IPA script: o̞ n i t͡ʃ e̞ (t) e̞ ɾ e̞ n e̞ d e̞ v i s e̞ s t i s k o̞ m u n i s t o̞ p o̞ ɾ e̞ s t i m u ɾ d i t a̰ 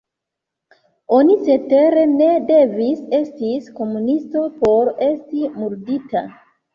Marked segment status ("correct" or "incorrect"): correct